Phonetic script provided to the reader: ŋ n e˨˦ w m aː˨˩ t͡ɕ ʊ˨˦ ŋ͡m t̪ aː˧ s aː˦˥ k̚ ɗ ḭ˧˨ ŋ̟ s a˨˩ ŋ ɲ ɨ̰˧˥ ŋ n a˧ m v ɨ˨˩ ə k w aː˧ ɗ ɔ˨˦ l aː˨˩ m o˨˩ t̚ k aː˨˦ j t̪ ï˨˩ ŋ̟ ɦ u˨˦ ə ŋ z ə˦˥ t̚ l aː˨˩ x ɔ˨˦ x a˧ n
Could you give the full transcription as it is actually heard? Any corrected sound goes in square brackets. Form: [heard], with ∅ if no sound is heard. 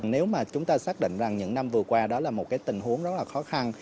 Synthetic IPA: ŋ n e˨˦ w m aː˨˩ t͡ɕ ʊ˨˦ ŋ͡m t̪ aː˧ s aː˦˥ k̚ ɗ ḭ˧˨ ŋ̟ [z] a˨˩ ŋ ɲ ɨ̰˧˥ ŋ n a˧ m v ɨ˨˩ ə k w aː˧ ɗ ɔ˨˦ l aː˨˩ m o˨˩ t̚ k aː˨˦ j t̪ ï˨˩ ŋ̟ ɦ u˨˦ ə ŋ z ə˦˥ t̚ l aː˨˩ x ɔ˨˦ x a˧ n